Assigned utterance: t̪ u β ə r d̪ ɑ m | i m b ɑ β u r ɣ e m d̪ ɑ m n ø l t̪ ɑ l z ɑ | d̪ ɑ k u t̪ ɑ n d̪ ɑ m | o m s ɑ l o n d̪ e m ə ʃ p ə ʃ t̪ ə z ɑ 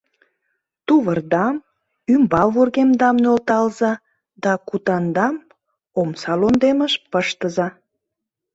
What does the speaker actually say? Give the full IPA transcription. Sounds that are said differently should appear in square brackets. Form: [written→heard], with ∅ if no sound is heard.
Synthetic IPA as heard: t̪ u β ə r d̪ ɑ m | [i→y] m b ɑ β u r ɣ e m d̪ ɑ m n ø l t̪ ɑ l z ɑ | d̪ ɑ k u t̪ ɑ n d̪ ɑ m | o m s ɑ l o n d̪ e m ə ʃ p ə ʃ t̪ ə z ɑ